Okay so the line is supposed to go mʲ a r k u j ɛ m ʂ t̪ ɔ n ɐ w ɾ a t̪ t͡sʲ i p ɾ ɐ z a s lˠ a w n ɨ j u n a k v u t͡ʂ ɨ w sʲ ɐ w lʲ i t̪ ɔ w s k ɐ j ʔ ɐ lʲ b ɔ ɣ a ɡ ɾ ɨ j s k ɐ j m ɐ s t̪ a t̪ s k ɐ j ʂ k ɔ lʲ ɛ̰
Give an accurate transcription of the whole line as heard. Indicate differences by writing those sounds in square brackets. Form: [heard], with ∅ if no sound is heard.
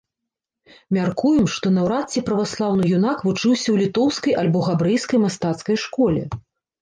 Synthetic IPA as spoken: mʲ a r k u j ɛ m ʂ t̪ ɔ n ɐ w ɾ a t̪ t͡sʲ i p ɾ ɐ [v] a s lˠ a w n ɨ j u n a k v u t͡ʂ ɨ w sʲ ɐ w lʲ i t̪ ɔ w s k ɐ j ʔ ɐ lʲ b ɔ ɣ a [b] ɾ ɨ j s k ɐ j m [a] s t̪ a t̪ s k ɐ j ʂ k ɔ lʲ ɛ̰